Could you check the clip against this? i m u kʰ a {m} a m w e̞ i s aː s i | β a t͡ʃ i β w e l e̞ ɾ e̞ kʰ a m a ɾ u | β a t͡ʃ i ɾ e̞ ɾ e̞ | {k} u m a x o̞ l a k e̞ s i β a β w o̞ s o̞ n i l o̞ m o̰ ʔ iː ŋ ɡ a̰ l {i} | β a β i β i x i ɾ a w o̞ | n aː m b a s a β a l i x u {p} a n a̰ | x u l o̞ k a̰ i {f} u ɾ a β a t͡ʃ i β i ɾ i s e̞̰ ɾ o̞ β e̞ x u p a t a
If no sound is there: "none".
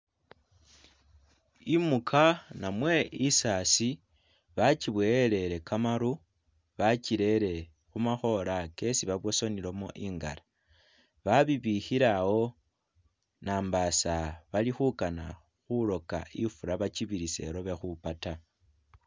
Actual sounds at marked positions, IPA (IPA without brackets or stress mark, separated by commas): n, x, a, k, f